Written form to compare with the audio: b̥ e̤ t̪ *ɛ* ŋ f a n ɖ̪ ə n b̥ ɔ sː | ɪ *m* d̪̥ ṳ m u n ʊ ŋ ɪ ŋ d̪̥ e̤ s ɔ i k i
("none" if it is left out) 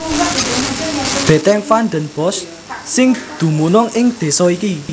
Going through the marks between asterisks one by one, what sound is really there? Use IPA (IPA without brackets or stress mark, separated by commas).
ɛ, ŋ